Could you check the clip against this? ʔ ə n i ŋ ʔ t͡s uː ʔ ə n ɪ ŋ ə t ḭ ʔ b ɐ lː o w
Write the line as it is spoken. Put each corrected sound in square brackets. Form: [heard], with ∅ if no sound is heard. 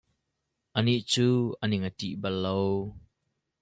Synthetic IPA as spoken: ʔ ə n i [∅] ʔ t͡s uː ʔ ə n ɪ ŋ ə t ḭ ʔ b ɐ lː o w